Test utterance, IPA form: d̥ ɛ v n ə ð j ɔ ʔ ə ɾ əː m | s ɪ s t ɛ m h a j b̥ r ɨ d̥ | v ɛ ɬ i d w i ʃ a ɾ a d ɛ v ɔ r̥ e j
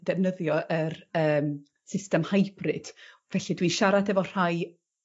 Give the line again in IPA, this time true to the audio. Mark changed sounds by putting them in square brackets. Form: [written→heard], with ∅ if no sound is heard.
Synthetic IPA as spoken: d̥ ɛ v n ə ð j ɔ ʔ ə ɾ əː m | s ɪ s t ɛ m h a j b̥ r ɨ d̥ | v ɛ ɬ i d w i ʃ a ɾ a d ɛ v ɔ r̥ [e→a] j